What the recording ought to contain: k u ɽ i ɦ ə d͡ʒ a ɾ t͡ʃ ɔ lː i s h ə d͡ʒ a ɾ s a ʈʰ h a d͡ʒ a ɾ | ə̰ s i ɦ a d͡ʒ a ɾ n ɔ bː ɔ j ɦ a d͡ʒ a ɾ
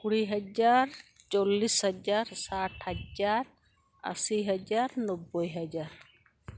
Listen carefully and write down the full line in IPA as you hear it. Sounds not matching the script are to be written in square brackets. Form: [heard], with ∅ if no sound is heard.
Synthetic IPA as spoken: k u ɽ i ɦ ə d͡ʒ a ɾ t͡ʃ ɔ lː i s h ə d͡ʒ a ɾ s a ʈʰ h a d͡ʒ a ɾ | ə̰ s i ɦ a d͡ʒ a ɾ n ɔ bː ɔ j ɦ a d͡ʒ a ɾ